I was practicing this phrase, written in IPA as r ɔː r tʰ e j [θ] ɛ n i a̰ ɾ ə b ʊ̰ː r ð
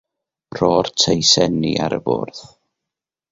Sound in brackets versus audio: incorrect: s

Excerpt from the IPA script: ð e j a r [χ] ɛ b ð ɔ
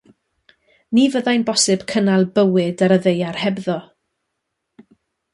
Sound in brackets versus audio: incorrect: h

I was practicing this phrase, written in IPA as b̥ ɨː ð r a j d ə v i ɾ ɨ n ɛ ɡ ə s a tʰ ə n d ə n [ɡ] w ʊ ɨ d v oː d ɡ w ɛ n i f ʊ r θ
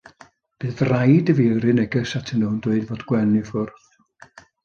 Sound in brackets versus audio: incorrect: d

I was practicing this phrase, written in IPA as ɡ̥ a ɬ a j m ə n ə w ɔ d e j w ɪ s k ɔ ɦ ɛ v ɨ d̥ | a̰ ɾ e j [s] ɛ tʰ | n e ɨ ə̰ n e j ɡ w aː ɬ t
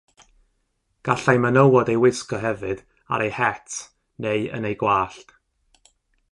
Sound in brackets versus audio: incorrect: h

